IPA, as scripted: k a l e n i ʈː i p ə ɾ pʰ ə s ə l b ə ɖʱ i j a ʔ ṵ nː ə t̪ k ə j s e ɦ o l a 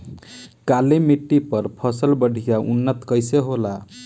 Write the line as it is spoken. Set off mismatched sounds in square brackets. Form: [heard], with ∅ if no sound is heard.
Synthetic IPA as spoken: k a l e [m] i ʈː i p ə ɾ pʰ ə s ə l b ə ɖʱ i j a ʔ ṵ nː ə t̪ k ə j s e ɦ o l a